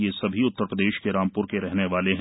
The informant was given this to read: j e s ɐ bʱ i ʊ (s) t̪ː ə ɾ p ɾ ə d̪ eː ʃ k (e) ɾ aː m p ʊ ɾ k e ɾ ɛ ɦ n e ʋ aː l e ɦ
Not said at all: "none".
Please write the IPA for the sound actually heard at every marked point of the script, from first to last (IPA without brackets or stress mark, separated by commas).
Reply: none, e